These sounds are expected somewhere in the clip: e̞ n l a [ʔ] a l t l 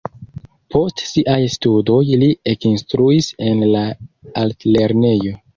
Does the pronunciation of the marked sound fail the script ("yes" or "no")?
yes